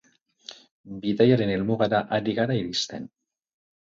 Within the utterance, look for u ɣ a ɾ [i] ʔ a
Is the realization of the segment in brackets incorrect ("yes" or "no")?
yes